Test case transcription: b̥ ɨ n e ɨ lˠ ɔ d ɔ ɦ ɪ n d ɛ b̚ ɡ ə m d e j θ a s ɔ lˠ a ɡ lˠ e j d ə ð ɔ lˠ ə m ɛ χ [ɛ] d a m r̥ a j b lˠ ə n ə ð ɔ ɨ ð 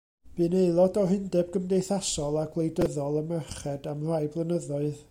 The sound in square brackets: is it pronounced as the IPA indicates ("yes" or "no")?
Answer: yes